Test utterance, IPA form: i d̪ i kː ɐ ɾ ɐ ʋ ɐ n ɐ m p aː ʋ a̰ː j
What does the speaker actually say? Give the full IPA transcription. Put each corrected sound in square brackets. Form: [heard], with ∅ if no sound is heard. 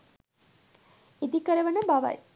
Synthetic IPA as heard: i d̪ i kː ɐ ɾ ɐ ʋ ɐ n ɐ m [b] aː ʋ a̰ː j